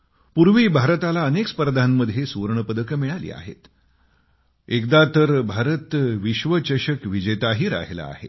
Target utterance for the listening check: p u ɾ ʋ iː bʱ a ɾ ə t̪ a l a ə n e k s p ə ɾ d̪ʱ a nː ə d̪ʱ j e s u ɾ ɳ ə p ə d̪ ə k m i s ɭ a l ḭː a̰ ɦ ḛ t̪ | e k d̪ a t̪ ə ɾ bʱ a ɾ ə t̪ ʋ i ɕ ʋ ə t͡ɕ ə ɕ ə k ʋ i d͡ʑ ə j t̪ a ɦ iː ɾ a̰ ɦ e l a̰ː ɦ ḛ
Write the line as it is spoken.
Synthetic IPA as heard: p u ɾ ʋ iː bʱ a ɾ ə t̪ a l a ə n e k s p ə ɾ d̪ʱ a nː ə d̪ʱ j e s u ɾ ɳ ə p ə d̪ ə k m i ɭ a l ḭː a̰ ɦ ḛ t̪ | e k d̪ a t̪ ə ɾ bʱ a ɾ ə t̪ ʋ i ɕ ʋ ə t͡ɕ ə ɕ ə k ʋ i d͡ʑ ə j t̪ a ɦ iː ɾ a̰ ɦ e l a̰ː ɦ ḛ